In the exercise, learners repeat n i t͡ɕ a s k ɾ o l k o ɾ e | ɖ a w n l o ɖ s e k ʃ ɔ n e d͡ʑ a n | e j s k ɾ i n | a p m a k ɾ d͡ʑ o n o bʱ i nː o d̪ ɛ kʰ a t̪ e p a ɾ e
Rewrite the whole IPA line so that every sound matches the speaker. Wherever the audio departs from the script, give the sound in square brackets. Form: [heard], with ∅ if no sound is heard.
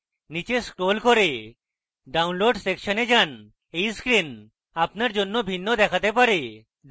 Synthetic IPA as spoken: n i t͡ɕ [e] s k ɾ o l k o ɾ e | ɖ a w n l o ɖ s e k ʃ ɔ n e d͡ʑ a n | e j s k ɾ i n | a p [n] a [∅] ɾ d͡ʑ o [nː] o bʱ i nː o d̪ ɛ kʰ a t̪ e p a ɾ e